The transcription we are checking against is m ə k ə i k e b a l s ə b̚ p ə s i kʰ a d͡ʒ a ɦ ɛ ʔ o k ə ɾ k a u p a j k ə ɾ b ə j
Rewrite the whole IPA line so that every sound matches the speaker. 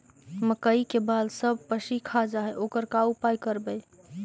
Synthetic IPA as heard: m ə k ə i k e b a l s ə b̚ p ə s i kʰ a d͡ʒ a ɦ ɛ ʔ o k ə ɾ k a u p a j k ə ɾ b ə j